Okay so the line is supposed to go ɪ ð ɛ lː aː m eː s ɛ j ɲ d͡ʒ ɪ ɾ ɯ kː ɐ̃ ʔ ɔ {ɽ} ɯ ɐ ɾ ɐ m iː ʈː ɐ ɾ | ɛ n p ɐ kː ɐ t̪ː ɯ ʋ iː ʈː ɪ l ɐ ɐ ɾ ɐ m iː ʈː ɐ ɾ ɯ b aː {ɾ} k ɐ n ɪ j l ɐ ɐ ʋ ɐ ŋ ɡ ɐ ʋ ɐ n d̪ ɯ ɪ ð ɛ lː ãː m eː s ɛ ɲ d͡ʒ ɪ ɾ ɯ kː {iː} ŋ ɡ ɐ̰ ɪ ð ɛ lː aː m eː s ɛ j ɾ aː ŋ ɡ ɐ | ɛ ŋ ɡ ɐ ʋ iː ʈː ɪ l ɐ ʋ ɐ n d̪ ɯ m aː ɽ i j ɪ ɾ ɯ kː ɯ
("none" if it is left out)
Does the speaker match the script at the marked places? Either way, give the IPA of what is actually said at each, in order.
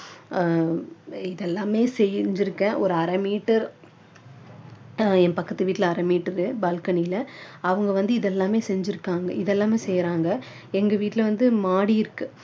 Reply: ɾ, l, aː

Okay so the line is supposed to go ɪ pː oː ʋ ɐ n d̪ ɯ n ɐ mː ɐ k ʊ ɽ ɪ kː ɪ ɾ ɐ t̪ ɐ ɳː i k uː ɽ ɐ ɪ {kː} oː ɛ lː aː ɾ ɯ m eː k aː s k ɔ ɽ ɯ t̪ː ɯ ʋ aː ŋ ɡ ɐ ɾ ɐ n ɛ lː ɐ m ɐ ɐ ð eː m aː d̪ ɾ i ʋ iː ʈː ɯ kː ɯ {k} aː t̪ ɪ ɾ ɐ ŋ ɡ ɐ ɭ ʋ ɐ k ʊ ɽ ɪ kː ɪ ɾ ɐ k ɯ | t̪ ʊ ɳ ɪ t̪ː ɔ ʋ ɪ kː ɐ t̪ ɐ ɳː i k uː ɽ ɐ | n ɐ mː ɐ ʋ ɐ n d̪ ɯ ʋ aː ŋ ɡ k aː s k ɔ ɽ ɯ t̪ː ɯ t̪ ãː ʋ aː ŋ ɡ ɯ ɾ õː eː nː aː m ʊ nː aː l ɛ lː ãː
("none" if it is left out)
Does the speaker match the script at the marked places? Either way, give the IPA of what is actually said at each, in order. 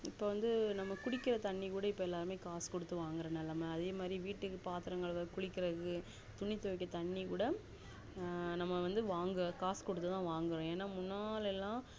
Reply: pː, p

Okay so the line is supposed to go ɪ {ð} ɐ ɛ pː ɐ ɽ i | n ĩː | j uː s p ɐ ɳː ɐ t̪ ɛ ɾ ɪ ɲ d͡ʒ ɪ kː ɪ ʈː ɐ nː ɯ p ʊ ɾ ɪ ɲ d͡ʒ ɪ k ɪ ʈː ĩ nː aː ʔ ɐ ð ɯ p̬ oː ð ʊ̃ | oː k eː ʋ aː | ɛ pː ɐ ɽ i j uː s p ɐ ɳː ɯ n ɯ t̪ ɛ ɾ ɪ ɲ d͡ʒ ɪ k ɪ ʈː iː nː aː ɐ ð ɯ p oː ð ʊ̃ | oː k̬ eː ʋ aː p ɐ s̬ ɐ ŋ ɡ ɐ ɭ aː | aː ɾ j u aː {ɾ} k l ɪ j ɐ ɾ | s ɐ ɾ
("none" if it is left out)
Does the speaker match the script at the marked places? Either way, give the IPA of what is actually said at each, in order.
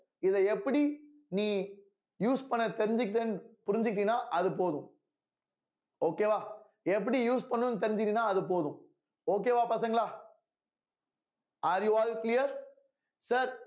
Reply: ð, l

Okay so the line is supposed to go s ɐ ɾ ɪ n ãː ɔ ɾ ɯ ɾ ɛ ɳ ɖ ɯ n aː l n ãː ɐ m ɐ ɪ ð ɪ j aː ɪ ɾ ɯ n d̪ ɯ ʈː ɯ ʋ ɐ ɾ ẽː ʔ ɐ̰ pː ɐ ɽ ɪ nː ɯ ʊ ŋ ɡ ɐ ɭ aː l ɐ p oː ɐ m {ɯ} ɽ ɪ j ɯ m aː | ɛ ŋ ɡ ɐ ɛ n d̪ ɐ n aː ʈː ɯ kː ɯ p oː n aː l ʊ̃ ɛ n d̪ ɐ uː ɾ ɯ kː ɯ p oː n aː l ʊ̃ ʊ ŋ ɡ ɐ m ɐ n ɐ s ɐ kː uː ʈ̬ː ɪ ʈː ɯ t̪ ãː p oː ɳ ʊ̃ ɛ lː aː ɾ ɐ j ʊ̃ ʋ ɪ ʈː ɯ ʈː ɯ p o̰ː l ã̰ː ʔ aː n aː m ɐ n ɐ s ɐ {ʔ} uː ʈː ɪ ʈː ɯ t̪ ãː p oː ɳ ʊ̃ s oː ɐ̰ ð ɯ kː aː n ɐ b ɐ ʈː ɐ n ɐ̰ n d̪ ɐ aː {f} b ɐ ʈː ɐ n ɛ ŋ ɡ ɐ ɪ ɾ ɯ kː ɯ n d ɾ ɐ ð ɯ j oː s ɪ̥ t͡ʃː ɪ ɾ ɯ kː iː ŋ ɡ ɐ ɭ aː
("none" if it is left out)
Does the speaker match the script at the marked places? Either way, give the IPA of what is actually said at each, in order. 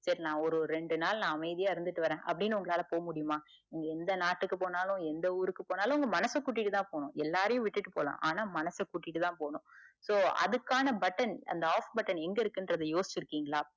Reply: ʊ, k, f

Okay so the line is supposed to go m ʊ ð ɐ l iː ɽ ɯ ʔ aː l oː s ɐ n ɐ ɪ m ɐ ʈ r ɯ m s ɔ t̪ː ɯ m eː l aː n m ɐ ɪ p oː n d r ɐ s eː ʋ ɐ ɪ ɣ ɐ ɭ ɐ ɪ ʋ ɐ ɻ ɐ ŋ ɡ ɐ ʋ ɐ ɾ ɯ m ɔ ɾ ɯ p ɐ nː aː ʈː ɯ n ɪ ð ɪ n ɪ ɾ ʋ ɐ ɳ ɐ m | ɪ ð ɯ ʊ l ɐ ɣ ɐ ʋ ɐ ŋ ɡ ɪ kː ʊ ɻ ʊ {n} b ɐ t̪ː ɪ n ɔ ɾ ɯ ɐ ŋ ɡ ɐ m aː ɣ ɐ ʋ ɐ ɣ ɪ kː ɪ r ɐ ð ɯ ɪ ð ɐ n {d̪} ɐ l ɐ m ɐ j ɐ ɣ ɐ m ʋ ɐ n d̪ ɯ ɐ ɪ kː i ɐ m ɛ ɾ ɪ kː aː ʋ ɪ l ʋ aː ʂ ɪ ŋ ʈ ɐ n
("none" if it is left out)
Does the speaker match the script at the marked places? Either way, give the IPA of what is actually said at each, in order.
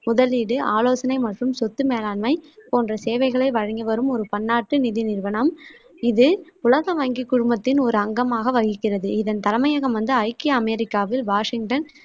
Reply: m, t̪

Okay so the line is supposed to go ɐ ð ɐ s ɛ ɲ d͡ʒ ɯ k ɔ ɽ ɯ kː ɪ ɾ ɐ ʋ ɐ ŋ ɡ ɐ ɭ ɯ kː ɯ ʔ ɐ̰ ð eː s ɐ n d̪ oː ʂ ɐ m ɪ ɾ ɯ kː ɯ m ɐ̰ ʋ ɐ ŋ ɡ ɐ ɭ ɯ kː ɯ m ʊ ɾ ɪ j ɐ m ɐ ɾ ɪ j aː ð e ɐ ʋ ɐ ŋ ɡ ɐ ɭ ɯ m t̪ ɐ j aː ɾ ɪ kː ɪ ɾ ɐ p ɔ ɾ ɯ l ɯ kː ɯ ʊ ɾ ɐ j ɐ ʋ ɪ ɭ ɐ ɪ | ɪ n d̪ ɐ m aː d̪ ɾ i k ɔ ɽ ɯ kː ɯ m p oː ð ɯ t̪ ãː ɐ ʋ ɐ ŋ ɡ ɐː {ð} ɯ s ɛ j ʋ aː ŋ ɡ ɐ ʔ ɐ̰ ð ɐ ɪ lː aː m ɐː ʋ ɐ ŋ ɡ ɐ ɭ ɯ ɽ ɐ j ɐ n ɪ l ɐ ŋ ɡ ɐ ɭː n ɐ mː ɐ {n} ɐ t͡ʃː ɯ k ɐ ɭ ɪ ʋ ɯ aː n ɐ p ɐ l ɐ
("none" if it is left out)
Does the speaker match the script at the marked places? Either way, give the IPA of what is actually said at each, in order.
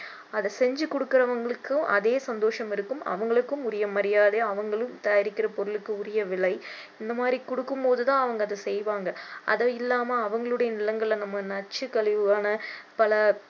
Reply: ð, n

